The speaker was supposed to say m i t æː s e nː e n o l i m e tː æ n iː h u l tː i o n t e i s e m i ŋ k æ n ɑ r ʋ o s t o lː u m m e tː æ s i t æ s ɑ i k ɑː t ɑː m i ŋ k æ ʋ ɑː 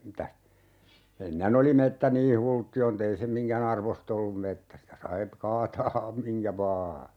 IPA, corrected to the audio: m i t æ s e nː e n o l i m e tː æ n iː h u l tː i o n t e i s e m i ŋ k æ n ɑ r ʋ o s t o lː u m m e tː æ s i t æ s ɑ i k ɑː t ɑː m i ŋ k æ ʋ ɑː